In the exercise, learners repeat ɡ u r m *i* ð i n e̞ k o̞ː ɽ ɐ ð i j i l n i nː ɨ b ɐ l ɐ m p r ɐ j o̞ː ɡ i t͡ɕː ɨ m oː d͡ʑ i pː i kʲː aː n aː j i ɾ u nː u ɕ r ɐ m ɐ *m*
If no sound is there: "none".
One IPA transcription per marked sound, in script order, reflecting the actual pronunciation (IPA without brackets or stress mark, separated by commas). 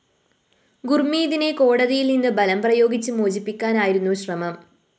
iː, m